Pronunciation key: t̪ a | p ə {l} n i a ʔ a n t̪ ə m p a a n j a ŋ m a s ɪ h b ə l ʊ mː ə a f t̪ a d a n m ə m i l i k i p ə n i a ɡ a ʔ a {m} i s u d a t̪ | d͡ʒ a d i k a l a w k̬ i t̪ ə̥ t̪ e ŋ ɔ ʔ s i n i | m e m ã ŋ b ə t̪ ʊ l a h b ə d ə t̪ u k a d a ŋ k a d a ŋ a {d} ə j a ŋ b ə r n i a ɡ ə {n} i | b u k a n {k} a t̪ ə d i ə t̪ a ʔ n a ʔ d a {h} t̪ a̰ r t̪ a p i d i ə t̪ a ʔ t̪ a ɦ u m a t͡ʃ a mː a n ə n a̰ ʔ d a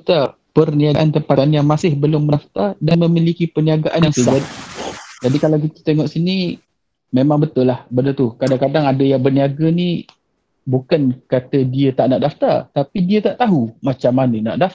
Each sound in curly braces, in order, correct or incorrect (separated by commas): incorrect, incorrect, correct, correct, correct, incorrect